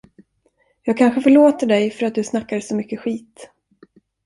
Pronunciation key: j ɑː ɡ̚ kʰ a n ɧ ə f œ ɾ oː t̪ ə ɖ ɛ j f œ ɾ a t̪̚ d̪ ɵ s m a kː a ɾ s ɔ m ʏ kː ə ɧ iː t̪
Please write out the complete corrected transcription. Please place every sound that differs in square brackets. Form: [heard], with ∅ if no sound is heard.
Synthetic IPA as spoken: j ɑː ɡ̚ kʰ a n ɧ ə f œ [ɭ] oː t̪ ə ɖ ɛ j f œ ɾ a t̪̚ d̪ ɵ s [n] a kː a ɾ s ɔ m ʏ kː ə ɧ iː t̪